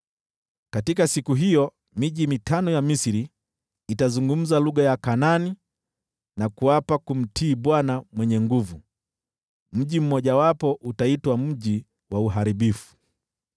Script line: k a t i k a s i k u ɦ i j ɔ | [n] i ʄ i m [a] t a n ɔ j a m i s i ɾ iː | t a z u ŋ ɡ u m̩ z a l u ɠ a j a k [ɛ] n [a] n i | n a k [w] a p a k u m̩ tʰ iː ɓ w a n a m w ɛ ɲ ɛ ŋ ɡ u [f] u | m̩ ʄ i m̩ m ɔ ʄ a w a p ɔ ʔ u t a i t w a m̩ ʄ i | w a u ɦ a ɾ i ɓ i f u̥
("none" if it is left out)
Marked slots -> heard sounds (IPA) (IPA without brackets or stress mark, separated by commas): m, i, a, a, u, v